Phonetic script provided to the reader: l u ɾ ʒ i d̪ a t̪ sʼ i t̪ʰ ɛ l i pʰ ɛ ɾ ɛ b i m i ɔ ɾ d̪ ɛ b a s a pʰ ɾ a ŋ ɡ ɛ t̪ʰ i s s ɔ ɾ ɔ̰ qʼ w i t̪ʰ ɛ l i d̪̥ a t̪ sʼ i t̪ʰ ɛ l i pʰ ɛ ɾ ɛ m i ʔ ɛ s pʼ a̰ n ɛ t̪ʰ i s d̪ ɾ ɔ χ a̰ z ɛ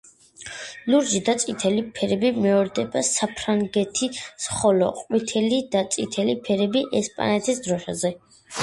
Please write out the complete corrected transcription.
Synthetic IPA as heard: l u ɾ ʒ i d̪ a t̪ sʼ i t̪ʰ ɛ l i pʰ ɛ ɾ ɛ b i m ɛ ɔ ɾ d̪ ɛ b a s a pʰ ɾ a ŋ ɡ ɛ t̪ʰ i s χ ɔ l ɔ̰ qʼ w i t̪ʰ ɛ l i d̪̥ a t̪ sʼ i t̪ʰ ɛ l i pʰ ɛ ɾ ɛ b i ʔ ɛ s pʼ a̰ n ɛ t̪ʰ i s d̪ ɾ ɔ ʃ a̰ z ɛ